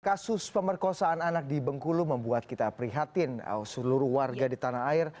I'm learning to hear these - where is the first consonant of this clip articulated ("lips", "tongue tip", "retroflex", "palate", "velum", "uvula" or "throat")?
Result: velum